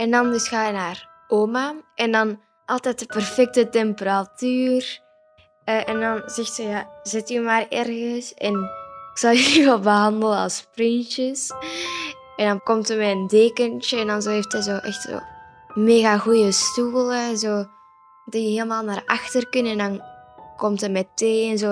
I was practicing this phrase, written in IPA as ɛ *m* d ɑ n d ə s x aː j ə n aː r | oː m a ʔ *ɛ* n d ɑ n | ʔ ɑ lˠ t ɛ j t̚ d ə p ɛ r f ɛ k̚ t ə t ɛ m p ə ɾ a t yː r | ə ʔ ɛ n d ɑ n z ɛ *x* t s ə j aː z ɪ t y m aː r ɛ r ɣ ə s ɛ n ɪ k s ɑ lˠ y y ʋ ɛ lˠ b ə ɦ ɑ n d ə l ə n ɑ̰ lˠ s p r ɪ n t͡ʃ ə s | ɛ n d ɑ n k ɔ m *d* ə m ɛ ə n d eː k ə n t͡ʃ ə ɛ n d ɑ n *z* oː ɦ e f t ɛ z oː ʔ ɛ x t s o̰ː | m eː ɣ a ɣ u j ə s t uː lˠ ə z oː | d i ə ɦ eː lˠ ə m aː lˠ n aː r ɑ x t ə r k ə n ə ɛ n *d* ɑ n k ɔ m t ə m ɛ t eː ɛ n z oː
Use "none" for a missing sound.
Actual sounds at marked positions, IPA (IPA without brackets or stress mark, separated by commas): n, ɛ, x, t, z, d